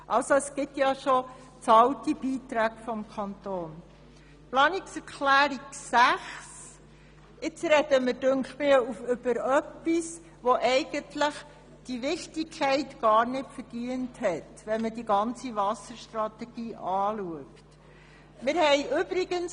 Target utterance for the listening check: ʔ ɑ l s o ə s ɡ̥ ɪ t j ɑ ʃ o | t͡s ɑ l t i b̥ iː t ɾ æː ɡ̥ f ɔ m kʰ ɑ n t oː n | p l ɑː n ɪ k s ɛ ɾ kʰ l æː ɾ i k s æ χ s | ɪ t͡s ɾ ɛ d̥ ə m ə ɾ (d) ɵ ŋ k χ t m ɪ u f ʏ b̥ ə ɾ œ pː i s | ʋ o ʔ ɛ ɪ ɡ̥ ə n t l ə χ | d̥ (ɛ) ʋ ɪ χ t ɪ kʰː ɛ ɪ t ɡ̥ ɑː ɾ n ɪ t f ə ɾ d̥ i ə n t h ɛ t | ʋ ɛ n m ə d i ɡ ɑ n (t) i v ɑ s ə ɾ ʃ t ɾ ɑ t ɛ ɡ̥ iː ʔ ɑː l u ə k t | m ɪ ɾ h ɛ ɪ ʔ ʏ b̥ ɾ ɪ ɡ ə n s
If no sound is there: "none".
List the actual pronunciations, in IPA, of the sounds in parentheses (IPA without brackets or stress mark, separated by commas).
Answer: d, i, t͡s